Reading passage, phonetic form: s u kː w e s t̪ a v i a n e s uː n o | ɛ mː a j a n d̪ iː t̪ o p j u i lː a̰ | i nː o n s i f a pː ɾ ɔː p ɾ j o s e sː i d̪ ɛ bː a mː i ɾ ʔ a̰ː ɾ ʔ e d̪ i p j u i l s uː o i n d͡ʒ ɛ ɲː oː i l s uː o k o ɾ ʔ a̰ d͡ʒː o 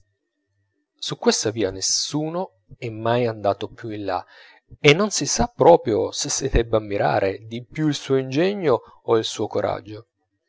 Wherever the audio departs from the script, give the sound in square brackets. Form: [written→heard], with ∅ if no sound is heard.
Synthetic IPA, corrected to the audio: s u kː w e s t̪ a v [i→iː] a n e s uː n o | ɛ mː a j a n d̪ [iː→aː] t̪ o p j u i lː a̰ | [i→e] nː o n s i [f→s] a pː ɾ ɔː p ɾ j o s e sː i d̪ ɛ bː a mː i ɾ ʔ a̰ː ɾ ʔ e d̪ i p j u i l s uː o i n d͡ʒ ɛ ɲː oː i l s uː o k o ɾ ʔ a̰ d͡ʒː o